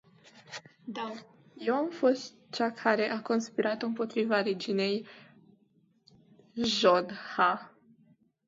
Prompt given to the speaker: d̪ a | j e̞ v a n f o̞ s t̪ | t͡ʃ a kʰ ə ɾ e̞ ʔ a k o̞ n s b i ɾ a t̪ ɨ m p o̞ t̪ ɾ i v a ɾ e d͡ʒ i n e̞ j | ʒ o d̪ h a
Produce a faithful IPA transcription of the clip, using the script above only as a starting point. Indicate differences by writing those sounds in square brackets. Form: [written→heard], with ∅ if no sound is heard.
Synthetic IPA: d̪ a | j e̞ [v→w] a [n→m] f o̞ s t̪ | t͡ʃ a kʰ [ə→a] ɾ e̞ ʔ a k o̞ n s [b→p] i ɾ a t̪ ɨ m p o̞ t̪ ɾ i v a ɾ e d͡ʒ i n e̞ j | ʒ o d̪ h a